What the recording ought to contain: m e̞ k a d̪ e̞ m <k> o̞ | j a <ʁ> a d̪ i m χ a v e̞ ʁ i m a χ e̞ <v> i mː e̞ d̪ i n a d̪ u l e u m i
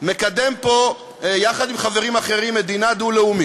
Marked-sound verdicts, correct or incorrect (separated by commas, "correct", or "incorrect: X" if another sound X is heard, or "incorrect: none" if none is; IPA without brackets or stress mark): incorrect: p, incorrect: χ, incorrect: ʁ